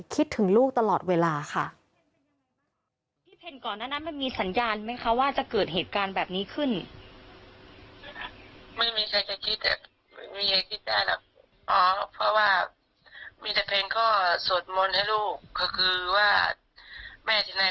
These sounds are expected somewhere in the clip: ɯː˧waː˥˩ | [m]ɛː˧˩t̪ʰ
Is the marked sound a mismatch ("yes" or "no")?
no